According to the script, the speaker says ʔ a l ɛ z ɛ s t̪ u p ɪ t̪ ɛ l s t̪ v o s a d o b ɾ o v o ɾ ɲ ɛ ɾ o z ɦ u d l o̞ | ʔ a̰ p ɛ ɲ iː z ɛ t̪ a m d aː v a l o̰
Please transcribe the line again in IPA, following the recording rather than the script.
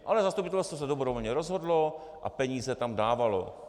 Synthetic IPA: ʔ a l ɛ z a s t̪ u p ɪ t̪ ɛ l s t̪ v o s ɛ d o b ɾ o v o l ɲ ɛ ɾ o z ɦ o d l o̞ | ʔ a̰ p ɛ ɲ iː z ɛ t̪ a m d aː v a l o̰